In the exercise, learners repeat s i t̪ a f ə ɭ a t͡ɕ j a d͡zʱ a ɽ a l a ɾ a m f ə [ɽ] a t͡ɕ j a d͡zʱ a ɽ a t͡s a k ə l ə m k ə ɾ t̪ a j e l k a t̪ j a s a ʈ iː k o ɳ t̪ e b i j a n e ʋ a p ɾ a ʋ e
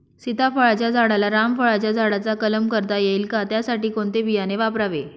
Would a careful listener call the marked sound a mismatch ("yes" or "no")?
yes